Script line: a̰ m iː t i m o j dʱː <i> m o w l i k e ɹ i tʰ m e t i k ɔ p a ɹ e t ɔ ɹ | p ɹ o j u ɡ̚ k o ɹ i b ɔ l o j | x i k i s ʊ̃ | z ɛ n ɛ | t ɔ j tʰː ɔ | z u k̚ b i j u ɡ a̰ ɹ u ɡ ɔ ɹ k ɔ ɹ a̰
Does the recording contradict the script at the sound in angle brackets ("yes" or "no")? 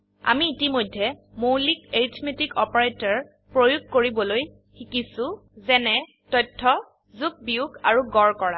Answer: yes